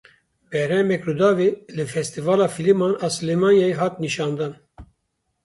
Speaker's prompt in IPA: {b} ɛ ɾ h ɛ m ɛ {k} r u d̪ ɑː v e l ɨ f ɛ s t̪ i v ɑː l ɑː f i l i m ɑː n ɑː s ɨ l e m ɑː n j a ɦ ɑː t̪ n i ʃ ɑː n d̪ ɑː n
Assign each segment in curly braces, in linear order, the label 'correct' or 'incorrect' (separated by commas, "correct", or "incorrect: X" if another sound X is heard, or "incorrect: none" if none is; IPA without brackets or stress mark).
correct, correct